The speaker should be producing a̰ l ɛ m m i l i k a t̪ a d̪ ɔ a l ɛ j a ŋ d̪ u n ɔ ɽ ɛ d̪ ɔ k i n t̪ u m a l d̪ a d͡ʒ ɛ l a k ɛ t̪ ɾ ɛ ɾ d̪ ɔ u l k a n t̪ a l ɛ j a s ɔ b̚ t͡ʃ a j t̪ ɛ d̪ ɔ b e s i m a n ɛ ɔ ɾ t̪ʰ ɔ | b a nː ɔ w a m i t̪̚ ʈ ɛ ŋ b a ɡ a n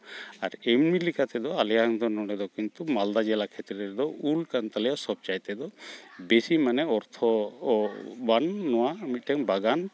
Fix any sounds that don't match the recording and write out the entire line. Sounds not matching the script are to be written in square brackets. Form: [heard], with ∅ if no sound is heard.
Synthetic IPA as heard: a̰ [ɾ] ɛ m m i l i k a t̪ [ɛ] d̪ ɔ a l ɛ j a ŋ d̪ [ɔ] n ɔ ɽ ɛ d̪ ɔ k i n t̪ u m a l d̪ a d͡ʒ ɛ l a [kʰ] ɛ t̪ ɾ ɛ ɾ d̪ ɔ u l k a n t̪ a l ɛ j a s ɔ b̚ t͡ʃ a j t̪ ɛ d̪ ɔ b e s i m a n ɛ ɔ ɾ t̪ʰ ɔ | b a nː ɔ w a m i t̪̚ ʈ ɛ ŋ b a ɡ a n